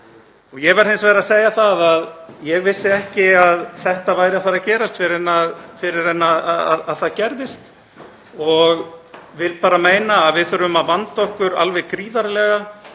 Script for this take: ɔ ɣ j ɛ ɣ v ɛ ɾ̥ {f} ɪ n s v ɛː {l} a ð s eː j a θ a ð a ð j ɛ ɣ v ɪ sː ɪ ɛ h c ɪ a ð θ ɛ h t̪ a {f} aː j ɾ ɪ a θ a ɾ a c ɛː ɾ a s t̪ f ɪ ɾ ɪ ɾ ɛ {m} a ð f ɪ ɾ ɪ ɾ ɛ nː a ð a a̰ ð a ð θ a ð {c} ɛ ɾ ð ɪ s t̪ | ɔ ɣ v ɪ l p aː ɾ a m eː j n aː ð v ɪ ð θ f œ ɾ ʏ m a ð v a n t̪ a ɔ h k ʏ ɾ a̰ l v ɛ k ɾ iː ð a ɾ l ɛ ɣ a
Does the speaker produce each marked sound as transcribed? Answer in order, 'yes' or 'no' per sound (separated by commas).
no, no, no, no, yes